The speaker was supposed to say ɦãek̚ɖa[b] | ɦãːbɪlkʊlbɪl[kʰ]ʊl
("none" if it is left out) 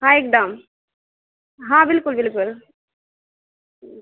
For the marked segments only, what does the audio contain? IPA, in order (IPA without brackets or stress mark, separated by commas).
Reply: m, k